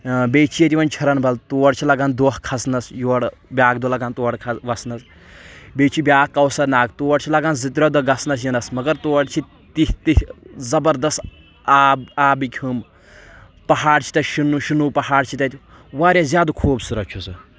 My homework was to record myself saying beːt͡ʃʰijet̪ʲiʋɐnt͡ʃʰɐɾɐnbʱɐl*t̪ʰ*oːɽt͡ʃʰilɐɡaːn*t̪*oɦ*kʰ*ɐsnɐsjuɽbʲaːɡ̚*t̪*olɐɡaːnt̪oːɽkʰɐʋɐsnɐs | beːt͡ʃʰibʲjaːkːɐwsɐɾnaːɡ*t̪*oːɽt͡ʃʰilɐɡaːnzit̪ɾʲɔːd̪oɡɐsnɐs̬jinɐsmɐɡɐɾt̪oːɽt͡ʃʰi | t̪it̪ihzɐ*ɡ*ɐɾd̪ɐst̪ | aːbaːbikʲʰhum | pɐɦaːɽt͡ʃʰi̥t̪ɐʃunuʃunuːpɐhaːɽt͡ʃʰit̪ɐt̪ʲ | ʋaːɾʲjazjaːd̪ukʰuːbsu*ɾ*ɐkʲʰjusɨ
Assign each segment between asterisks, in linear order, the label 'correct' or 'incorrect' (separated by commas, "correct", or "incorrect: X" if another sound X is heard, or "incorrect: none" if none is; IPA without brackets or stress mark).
incorrect: t̪, incorrect: d̪, correct, incorrect: d̪, correct, incorrect: b, correct